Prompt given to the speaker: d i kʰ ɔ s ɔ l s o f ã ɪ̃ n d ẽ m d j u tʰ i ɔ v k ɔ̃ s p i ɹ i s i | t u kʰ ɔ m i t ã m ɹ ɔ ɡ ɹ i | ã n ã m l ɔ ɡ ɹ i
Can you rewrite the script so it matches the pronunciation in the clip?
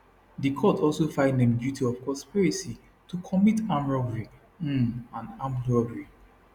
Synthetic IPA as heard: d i kʰ ɔ t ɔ l s o f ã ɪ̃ n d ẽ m d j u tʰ i ɔ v k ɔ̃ s p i ɹ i s i | t u kʰ ɔ m i t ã m ɹ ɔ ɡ ɹ i | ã n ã m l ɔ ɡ ɹ i